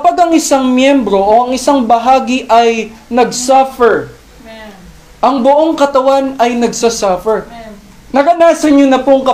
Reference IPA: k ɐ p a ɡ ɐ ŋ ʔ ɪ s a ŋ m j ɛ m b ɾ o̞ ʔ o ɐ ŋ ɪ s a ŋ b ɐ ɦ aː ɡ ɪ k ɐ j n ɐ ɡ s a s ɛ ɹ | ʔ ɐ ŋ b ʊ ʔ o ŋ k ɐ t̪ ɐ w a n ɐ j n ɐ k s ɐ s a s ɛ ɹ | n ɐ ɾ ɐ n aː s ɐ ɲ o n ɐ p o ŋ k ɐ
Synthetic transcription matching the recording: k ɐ p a ɡ ɐ ŋ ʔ ɪ s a ŋ m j ɛ m b ɾ o̞ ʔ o ɐ ŋ ɪ s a ŋ b ɐ ɦ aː ɡ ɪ ʔ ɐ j n ɐ ɡ s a f ɛ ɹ | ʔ ɐ ŋ b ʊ ʔ o ŋ k ɐ t̪ ɐ w a n ɐ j n ɐ ɡ s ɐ s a f ɛ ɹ | n ɐ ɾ ɐ n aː s ɐ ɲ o n ɐ p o ŋ k ɐ